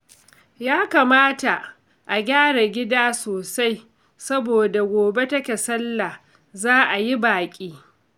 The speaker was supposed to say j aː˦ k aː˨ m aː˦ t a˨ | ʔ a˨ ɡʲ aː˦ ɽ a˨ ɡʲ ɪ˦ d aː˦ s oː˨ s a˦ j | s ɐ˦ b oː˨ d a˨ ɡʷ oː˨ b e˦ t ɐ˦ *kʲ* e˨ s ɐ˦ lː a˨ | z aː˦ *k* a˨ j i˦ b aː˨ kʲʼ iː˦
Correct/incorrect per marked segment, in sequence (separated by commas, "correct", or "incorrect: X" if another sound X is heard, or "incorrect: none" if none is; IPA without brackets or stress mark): correct, incorrect: ʔ